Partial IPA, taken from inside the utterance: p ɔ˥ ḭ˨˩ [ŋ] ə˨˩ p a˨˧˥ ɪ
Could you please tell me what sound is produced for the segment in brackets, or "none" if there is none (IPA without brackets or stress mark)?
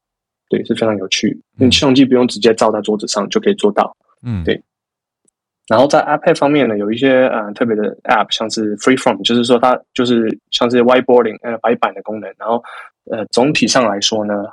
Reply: ŋ